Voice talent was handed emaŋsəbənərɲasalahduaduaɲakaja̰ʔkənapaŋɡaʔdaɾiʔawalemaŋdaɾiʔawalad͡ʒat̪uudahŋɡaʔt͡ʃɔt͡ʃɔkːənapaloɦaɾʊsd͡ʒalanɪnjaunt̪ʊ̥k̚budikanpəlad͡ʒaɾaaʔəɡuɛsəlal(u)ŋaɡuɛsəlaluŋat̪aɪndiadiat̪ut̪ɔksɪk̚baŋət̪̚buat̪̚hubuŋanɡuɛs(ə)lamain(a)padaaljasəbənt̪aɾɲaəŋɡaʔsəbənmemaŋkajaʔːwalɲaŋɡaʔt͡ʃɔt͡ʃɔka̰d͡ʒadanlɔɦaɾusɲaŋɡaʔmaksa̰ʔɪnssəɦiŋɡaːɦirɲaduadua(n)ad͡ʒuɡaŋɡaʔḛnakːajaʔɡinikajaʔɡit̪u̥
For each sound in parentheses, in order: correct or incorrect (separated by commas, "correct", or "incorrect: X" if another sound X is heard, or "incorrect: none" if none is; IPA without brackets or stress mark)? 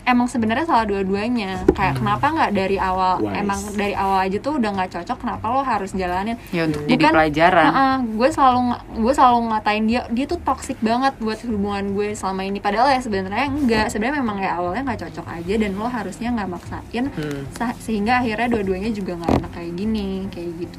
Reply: correct, correct, incorrect: i, incorrect: ɲ